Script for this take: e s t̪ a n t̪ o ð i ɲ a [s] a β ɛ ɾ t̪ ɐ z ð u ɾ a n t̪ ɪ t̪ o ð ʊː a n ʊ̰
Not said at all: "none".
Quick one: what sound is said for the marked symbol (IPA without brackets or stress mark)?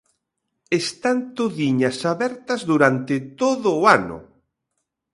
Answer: s